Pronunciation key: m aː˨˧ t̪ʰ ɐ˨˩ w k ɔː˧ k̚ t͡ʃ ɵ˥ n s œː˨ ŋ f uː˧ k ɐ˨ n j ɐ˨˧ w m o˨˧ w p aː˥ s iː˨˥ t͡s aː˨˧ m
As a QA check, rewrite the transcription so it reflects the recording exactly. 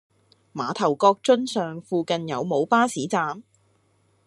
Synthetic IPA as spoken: m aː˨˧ t̪ʰ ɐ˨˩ w k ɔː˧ k̚ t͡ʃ ɵ˥ n s œː˨ ŋ f uː˧ k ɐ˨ n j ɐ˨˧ w m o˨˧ w p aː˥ s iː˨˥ t͡s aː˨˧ m